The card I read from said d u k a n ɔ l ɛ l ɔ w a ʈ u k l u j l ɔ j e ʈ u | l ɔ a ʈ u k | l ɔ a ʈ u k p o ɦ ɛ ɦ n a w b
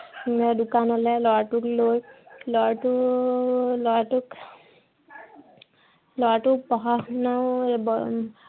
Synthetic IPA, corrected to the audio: d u k a n ɔ l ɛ l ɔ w a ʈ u k l o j l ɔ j a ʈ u | l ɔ a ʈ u k | l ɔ a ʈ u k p ɔ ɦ a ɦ n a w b

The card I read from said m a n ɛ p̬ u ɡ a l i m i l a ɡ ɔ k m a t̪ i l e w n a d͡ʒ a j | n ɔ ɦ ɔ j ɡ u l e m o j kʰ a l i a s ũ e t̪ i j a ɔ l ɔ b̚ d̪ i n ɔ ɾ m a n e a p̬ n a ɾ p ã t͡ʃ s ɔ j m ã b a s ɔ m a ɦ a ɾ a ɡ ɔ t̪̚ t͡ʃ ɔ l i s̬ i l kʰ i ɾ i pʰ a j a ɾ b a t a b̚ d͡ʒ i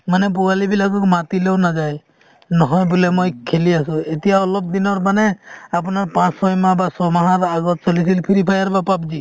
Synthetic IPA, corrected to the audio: m a n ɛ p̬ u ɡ a l i b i l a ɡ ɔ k m a t̪ i l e w n a d͡ʒ a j | n ɔ ɦ ɔ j b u l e m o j kʰ e l i a s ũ e t̪ i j a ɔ l ɔ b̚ d̪ i n ɔ ɾ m a n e a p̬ n a ɾ p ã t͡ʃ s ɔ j m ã b a s ɔ m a ɦ a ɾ a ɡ ɔ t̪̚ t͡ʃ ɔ l i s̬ i l pʰ i ɾ i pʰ a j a ɾ b a p a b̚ d͡ʒ i

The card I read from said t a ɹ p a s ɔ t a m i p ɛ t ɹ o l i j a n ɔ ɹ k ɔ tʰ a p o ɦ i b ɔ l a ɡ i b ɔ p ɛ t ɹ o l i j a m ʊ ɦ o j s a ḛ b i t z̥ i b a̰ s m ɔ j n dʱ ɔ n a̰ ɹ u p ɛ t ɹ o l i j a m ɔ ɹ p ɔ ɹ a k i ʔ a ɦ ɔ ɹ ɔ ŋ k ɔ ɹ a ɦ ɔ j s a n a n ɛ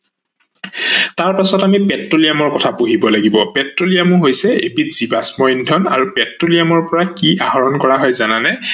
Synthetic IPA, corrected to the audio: t a ɹ p a s ɔ t a m i p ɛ t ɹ o l i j a m ɔ ɹ k ɔ tʰ a p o ɦ i b ɔ l a ɡ i b ɔ p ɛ t ɹ o l i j a m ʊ ɦ o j s ɛ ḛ b i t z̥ i b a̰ s m ɔ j n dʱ ɔ n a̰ ɹ u p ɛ t ɹ o l i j a m ɔ ɹ p ɔ ɹ a k i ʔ a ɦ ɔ ɹ ɔ n k ɔ ɹ a ɦ ɔ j z a n a n ɛ

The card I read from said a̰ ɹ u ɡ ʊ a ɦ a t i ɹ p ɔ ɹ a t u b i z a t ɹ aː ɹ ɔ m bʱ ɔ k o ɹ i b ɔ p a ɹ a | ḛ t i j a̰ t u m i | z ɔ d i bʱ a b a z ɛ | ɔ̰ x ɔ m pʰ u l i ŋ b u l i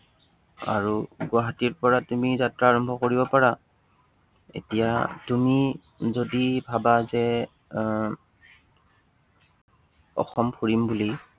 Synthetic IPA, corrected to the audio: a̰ ɹ u ɡ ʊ a ɦ a t i ɹ p ɔ ɹ a t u m i z a t ɹ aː ɹ ɔ m bʱ ɔ k o ɹ i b ɔ p a ɹ a | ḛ t i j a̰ t u m i | z o d i bʱ a b a z ɛ | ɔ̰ x ɔ m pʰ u ɹ i m b u l i

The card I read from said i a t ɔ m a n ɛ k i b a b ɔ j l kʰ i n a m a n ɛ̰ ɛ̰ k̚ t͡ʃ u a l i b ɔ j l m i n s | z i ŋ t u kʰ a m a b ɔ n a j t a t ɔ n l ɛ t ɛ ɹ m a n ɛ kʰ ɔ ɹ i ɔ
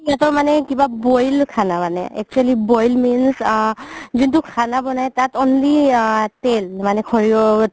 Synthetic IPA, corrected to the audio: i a t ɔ m a n ɛ k i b a b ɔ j l kʰ a n a m a n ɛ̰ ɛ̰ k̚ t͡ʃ u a l i b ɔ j l m i n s | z i n t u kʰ a n a b ɔ n a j t a t ɔ n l i t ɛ l m a n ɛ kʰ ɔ ɹ i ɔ

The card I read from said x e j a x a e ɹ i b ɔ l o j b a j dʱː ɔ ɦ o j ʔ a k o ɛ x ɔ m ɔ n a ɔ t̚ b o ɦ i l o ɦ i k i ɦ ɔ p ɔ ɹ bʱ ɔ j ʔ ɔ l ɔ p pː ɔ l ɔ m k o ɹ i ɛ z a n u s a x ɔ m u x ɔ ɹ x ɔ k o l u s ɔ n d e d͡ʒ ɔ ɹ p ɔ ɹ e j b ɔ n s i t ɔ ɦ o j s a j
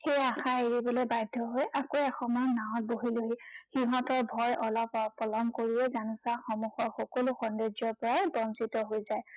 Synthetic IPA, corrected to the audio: x e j a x a e ɹ i b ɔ l o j b a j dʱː ɔ ɦ o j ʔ a k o ɛ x ɔ m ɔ n a ɔ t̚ b o ɦ i l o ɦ i x i ɦ ɔ t ɔ ɹ bʱ ɔ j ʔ ɔ l ɔ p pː ɔ l ɔ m k o ɹ i ɛ z a n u s a x ɔ m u x ɔ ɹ x ɔ k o l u x ɔ n d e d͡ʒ ɔ ɹ p ɔ ɹ a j b ɔ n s i t ɔ ɦ o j z a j

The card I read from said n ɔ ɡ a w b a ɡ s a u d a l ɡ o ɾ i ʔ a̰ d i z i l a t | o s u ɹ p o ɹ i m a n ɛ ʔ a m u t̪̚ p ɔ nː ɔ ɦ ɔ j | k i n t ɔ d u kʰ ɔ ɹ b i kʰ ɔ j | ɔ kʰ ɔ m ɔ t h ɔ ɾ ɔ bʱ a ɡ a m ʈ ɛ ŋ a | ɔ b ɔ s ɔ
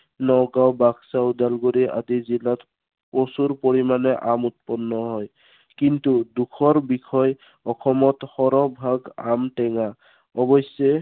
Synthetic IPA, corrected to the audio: n ɔ ɡ a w b a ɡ s a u d a l ɡ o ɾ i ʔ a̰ d i z i l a t | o s u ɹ p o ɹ i m a n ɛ ʔ a m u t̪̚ p ɔ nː ɔ ɦ ɔ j | k i n t u d u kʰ ɔ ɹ b i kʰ ɔ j | ɔ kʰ ɔ m ɔ t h ɔ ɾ ɔ bʱ a ɡ a m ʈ ɛ ŋ a | ɔ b ɔ s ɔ

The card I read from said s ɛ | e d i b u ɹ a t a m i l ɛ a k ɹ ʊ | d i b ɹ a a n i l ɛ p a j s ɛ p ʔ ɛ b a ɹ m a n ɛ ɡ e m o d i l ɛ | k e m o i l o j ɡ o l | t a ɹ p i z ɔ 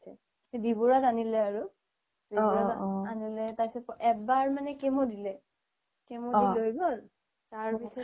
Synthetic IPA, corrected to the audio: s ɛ | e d i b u ɹ a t a n i l ɛ a ɹ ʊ | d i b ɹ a a n i l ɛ t a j s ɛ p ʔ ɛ b a ɹ m a n ɛ k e m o d i l ɛ | k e m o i l o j ɡ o l | t a ɹ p i s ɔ

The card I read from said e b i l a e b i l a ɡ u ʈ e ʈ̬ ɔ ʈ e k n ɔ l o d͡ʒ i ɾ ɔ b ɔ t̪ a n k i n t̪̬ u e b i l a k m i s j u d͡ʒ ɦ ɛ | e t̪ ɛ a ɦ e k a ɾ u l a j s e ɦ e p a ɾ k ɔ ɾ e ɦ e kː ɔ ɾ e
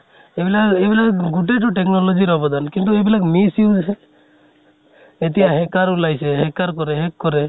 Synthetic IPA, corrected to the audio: e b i l a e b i l a ɡ u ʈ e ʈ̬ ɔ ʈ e k n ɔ l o d͡ʒ i ɾ ɔ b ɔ d̪ a n k i n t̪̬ u e b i l a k m i s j u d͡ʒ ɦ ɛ | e t̪ i a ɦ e k a ɾ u l a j s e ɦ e k a ɾ k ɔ ɾ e ɦ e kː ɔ ɾ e

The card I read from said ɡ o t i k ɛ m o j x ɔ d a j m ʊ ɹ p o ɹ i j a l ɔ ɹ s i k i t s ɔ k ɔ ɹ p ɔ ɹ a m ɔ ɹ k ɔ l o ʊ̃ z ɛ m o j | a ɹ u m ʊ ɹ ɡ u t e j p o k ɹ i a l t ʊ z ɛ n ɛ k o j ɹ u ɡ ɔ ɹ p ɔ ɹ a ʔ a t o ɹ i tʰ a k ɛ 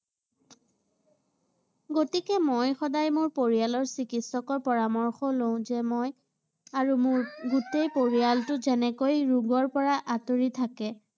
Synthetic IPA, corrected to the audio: ɡ o t i k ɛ m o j x ɔ d a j m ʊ ɹ p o ɹ i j a l ɔ ɹ s i k i t s ɔ k ɔ ɹ p ɔ ɹ a m ɔ ɹ x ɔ l o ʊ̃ z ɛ m o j | a ɹ u m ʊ ɹ ɡ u t e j p o ɹ i a l t ʊ z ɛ n ɛ k o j ɹ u ɡ ɔ ɹ p ɔ ɹ a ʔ a t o ɹ i tʰ a k ɛ

